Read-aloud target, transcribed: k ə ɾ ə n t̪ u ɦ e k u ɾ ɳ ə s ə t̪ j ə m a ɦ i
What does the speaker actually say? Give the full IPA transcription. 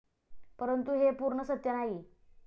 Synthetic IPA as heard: p ə ɾ ə n t̪ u ɦ e p u ɾ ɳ ə s ə t̪ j ə n a ɦ i